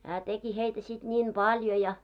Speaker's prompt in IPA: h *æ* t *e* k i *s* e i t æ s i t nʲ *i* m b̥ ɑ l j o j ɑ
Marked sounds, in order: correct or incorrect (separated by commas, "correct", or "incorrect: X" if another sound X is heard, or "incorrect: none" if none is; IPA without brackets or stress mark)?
incorrect: æː, correct, incorrect: h, incorrect: iː